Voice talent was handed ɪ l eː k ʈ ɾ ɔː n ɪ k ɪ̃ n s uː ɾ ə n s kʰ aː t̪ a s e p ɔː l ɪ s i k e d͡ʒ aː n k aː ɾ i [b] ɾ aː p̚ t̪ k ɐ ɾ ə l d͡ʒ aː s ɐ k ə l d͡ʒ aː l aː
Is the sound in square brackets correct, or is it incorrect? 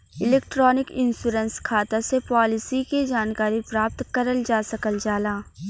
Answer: incorrect: p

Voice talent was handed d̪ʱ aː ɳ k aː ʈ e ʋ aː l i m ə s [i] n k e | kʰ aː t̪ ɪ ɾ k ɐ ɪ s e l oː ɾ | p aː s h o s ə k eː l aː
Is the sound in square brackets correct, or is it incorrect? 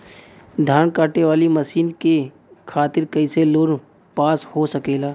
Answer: incorrect: iː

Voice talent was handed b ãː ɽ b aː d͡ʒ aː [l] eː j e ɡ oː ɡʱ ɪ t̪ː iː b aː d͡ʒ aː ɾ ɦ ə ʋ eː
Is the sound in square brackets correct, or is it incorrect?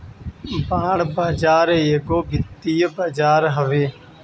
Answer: incorrect: ɾ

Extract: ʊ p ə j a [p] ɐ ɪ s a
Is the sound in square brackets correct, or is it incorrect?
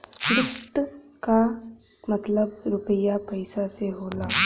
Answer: correct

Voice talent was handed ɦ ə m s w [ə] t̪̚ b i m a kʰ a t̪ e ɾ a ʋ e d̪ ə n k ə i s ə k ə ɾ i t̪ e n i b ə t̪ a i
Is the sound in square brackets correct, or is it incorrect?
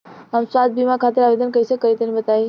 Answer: incorrect: a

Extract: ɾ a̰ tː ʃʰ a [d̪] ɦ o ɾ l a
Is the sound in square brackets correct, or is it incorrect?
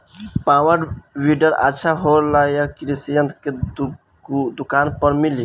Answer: incorrect: none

